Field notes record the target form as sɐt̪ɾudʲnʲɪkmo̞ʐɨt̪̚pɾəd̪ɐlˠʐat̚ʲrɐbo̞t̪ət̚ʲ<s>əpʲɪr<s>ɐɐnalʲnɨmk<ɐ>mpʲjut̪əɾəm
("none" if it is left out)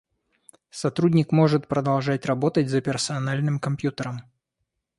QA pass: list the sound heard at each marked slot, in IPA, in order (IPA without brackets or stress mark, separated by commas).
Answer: z, s, ɐ